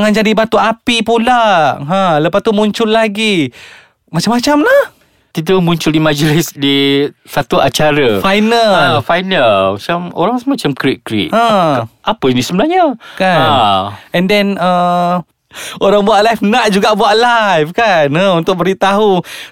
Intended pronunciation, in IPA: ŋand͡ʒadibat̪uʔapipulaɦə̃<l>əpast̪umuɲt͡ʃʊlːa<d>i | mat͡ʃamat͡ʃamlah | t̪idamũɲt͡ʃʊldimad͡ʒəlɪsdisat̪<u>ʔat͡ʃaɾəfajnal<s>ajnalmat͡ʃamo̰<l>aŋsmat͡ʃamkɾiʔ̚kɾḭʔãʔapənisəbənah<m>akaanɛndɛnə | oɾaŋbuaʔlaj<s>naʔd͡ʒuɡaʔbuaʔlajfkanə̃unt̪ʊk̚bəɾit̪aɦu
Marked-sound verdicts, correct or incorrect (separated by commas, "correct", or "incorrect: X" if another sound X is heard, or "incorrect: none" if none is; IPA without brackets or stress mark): correct, incorrect: ɡ, correct, incorrect: f, incorrect: ɾ, incorrect: ɲ, incorrect: f